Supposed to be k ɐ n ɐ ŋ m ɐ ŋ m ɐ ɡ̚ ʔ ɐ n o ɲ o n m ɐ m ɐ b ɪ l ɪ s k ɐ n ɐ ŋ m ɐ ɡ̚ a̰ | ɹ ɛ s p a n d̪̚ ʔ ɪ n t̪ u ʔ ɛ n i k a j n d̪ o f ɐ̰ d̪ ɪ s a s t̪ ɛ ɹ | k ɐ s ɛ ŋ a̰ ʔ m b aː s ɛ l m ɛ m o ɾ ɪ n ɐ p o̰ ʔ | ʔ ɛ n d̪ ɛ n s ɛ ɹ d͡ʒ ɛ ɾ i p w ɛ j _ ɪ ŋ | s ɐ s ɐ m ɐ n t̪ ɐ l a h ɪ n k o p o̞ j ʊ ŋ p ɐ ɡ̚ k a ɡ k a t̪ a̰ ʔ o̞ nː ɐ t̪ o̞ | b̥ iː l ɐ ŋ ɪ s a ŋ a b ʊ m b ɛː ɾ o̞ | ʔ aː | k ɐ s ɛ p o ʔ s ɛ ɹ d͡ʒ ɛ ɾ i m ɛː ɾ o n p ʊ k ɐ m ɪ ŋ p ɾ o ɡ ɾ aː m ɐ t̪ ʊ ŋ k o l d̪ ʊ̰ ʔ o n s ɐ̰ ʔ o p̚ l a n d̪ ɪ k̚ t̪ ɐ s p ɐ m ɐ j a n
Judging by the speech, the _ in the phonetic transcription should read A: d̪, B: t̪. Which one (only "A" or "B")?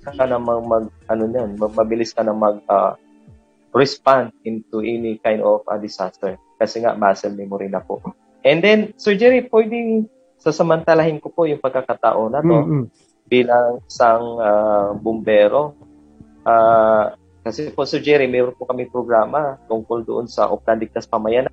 A